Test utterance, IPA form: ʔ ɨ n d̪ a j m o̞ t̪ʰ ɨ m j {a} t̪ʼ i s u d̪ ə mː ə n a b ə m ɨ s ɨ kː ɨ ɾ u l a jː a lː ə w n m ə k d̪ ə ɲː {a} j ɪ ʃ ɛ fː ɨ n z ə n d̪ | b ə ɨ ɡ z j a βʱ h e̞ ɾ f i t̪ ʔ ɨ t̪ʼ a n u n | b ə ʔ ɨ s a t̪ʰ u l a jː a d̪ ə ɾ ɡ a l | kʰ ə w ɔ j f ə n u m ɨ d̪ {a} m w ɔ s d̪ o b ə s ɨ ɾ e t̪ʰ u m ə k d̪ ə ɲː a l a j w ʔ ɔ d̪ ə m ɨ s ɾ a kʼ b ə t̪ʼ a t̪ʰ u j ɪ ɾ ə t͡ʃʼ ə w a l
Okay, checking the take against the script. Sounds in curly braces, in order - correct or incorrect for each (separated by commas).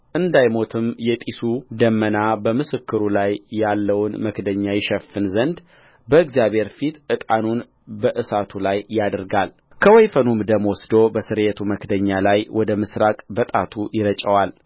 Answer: incorrect, correct, incorrect